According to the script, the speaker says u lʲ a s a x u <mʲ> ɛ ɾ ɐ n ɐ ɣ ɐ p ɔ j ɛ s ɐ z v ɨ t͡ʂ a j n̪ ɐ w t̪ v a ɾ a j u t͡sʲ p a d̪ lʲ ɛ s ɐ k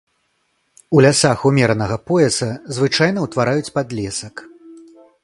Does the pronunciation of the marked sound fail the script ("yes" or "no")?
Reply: no